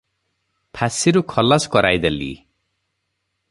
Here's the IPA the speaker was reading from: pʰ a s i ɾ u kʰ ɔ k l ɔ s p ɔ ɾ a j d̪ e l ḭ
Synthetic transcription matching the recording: pʰ a s i ɾ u kʰ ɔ l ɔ s k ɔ ɾ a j d̪ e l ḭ